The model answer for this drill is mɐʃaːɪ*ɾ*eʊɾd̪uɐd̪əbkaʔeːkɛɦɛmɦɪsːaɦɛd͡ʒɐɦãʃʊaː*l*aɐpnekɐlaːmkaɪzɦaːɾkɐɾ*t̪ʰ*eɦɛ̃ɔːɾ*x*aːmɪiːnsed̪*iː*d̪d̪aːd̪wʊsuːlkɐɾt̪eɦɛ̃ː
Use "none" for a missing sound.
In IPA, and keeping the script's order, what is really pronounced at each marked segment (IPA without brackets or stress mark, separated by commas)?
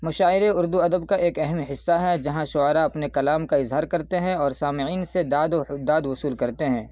ɾ, ɾ, t̪, s, aː